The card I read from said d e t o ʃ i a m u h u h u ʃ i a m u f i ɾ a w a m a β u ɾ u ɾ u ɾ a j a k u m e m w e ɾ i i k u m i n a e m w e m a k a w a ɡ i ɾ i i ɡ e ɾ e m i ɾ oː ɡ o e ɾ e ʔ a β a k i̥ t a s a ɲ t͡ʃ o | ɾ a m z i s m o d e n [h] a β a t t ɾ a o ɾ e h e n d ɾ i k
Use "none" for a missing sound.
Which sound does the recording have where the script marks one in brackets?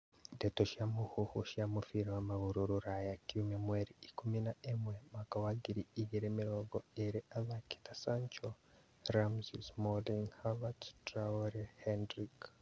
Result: h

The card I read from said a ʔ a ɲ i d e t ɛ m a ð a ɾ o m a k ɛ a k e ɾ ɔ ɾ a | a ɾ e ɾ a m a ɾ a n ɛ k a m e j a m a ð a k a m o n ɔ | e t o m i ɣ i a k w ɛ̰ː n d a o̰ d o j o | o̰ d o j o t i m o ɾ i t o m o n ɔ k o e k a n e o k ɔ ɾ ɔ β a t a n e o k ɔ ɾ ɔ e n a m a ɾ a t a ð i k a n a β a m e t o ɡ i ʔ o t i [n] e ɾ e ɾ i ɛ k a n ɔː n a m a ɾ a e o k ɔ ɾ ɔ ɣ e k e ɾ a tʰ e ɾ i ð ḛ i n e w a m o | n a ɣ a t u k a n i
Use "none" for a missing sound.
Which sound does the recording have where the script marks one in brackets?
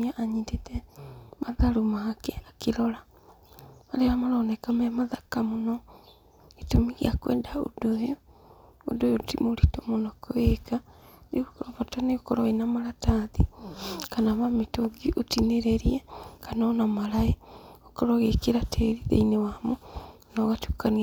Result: n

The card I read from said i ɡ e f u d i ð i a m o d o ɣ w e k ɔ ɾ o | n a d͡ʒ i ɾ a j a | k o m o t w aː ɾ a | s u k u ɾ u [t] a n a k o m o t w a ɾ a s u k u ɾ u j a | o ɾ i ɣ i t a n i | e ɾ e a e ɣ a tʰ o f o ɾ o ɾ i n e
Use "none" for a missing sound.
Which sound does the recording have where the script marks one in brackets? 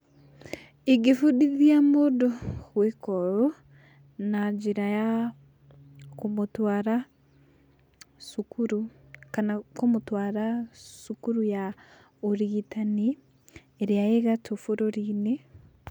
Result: k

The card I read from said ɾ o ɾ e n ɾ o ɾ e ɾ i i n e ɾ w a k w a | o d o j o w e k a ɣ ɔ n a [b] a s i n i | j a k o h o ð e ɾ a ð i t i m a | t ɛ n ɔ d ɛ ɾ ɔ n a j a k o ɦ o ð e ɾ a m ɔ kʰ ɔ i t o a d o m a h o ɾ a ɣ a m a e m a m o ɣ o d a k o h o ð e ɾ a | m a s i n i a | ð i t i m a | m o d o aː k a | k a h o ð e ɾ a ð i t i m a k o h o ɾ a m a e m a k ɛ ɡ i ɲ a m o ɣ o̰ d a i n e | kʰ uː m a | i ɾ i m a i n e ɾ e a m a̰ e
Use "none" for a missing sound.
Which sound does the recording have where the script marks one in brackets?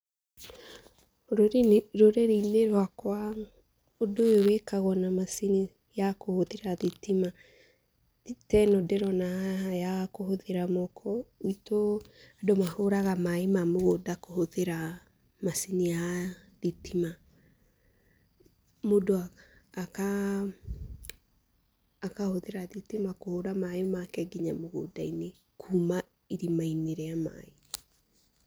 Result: m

